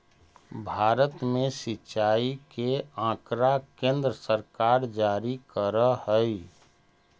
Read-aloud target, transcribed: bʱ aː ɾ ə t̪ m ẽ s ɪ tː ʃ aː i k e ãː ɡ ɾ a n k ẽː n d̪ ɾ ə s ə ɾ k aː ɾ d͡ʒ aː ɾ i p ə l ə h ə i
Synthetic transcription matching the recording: bʱ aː ɾ ə t̪ m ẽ s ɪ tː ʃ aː i k e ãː k ɾ a k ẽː n d̪ ɾ ə s ə ɾ k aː ɾ d͡ʒ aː ɾ i k ə ɾ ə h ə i